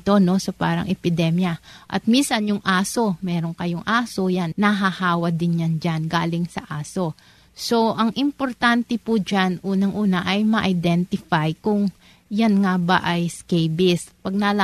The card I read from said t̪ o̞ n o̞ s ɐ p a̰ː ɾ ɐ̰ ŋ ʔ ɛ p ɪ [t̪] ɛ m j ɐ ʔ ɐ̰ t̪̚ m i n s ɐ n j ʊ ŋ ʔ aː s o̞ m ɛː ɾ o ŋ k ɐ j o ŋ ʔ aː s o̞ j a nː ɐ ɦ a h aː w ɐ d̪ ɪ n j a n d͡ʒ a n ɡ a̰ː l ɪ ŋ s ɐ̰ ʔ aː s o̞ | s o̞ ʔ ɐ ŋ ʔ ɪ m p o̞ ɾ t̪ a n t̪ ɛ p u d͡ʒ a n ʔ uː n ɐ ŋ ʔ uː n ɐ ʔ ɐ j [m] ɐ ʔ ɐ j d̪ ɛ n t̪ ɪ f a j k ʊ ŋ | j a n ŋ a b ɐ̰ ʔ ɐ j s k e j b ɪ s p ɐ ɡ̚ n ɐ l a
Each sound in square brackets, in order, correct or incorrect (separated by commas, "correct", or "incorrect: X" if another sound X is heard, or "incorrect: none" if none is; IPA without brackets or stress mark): incorrect: d̪, correct